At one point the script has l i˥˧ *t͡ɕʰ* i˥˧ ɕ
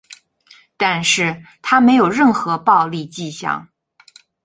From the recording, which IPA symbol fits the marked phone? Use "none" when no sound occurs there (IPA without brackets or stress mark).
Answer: t͡ɕ